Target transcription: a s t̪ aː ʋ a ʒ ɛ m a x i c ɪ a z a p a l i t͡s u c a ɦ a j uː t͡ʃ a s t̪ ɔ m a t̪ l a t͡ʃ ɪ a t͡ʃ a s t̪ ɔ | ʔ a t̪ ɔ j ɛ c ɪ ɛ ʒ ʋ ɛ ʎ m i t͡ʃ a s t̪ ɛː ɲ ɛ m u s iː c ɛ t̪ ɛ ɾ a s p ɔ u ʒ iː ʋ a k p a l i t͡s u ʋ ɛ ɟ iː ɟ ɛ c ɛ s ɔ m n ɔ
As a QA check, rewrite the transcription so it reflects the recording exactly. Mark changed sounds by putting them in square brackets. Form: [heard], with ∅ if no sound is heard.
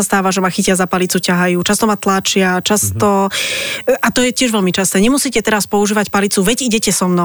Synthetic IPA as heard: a s t̪ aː ʋ a ʒ ɛ m a x i c ɪ a z a p a l i t͡s u c a ɦ a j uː t͡ʃ a s t̪ ɔ m a t̪ l a t͡ʃ ɪ a t͡ʃ a s t̪ ɔ | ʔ a t̪ ɔ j ɛ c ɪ ɛ ʒ ʋ ɛ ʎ m i t͡ʃ a s t̪ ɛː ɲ ɛ m u s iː c ɛ t̪ ɛ ɾ a s p ɔ u ʒ iː ʋ a [c] p a l i t͡s u ʋ ɛ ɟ [i] ɟ ɛ c ɛ s ɔ m n ɔ